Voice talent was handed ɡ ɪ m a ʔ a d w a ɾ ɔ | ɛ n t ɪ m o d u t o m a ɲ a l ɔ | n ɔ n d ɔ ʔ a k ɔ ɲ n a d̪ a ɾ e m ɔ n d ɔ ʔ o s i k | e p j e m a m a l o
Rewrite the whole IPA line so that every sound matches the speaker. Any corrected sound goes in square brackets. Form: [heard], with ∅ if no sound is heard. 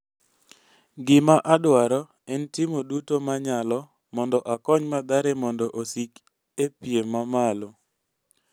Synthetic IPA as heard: ɡ ɪ m a ʔ a d w a ɾ ɔ | ɛ n t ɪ m o d u t o m a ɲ a l ɔ | [m] ɔ n d ɔ ʔ a k ɔ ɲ [m] a d̪ a ɾ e m ɔ n d ɔ ʔ o s i k | e p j e m a m a l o